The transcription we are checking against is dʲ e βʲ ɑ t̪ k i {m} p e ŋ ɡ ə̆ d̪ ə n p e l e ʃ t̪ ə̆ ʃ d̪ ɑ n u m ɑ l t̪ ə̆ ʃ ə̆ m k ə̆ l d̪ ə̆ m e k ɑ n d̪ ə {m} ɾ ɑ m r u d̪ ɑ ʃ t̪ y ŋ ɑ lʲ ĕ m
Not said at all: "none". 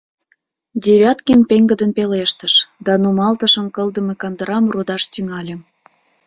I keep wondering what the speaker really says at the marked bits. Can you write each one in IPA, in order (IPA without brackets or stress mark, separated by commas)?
n, none